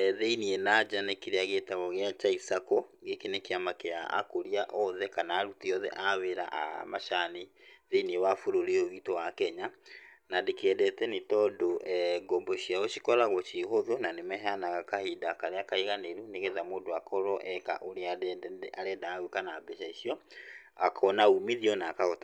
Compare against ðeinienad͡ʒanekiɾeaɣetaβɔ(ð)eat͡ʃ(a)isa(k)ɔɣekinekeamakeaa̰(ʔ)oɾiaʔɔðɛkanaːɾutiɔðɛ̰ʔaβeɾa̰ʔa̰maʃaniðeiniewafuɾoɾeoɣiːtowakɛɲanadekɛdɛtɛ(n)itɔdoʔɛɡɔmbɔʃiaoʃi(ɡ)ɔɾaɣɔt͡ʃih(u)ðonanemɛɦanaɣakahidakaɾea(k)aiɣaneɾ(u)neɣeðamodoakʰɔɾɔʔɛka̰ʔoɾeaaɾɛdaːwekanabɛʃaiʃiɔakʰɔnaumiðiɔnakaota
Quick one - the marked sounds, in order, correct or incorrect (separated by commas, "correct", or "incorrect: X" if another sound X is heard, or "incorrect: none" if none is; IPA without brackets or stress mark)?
incorrect: ɣ, correct, correct, incorrect: k, correct, incorrect: k, incorrect: o, correct, correct